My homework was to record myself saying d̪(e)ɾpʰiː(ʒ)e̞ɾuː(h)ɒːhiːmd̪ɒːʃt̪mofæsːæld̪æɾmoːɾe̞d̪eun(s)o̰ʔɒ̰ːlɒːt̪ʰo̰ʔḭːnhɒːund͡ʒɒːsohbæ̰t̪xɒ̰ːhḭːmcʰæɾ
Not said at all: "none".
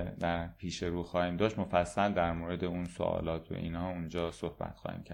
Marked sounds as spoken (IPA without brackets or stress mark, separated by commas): æ, ʃ, x, s